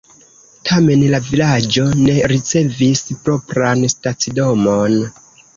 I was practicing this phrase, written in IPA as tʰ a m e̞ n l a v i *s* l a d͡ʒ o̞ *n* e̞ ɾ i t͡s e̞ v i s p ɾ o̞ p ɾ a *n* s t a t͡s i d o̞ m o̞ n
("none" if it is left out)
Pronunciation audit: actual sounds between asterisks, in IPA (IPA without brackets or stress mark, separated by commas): none, n, n